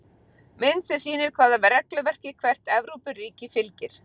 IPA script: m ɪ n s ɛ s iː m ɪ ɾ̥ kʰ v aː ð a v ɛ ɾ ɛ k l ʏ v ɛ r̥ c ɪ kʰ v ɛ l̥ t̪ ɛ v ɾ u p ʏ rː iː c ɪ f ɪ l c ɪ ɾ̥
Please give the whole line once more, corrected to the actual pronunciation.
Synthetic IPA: m ɪ n s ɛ s iː n ɪ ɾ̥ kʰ v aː ð a v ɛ ɾ ɛ k l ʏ v ɛ r̥ c ɪ kʰ v ɛ r̥ t̪ ɛ v ɾ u p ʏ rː iː c ɪ f ɪ l c ɪ ɾ̥